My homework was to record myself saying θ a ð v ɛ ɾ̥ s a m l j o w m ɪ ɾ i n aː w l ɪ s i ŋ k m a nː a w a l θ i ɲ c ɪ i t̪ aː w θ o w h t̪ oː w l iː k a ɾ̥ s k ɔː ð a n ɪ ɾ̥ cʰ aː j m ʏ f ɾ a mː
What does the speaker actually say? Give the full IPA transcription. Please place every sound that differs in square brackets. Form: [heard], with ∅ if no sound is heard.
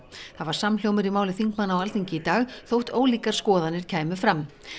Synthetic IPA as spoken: θ a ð v [a] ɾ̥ s a m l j o w m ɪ ɾ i [m] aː w l ɪ [θ] i ŋ k m a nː a w a l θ i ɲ c ɪ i t̪ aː [ɣ] θ o w h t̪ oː w l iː k a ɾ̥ s k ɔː ð a n ɪ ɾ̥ cʰ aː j m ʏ f ɾ a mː